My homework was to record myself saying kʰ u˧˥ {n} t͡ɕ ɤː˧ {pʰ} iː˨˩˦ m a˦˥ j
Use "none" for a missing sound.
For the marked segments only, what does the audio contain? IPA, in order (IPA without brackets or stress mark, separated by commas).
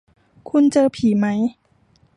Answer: n, pʰ